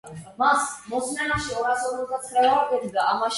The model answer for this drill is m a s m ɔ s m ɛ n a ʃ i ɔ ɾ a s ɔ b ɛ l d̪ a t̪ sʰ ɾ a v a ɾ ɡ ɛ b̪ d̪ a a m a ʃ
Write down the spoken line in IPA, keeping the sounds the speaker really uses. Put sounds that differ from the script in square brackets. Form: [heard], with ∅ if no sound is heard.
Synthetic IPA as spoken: m a s m ɔ s m ɛ n a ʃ i ɔ ɾ a s ɔ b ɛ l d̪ a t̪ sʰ ɾ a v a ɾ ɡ ɛ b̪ d̪ a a m a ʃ